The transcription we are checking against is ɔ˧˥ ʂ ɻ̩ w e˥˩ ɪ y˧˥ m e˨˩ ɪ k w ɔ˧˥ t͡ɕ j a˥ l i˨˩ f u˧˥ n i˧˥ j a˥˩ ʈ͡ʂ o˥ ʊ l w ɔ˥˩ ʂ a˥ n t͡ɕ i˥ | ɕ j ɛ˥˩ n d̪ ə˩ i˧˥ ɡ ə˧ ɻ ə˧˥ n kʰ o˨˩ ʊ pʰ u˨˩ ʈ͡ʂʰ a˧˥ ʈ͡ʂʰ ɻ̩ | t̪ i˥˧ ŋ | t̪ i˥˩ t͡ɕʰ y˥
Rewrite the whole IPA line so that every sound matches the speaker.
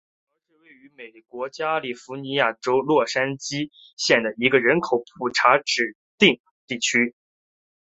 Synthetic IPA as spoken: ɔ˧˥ ʂ ɻ̩ w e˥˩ ɪ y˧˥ m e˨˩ ɪ k w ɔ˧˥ t͡ɕ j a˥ l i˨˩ f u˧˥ n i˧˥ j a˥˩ ʈ͡ʂ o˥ ʊ l w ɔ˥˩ ʂ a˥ n t͡ɕ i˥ | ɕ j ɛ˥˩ n d̪ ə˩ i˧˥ ɡ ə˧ ɻ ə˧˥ n kʰ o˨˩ ʊ pʰ u˨˩ ʈ͡ʂʰ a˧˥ ʈ͡ʂ ɻ̩ | t̪ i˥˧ ŋ | t̪ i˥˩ t͡ɕʰ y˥